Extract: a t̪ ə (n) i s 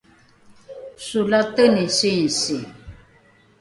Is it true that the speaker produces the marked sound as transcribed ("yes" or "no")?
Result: yes